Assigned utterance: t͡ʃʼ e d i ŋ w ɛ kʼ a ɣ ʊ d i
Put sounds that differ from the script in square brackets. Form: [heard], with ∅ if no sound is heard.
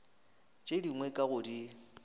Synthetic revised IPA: t͡ʃʼ e d i ŋ w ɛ kʼ a ɣ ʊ d i